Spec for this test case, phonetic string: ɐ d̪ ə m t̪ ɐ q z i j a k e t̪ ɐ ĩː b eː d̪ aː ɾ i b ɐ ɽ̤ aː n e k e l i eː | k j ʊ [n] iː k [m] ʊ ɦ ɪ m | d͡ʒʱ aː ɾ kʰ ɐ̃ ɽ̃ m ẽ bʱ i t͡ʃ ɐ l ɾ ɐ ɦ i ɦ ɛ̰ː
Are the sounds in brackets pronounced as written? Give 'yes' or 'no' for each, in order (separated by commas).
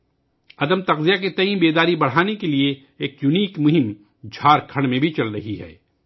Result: yes, yes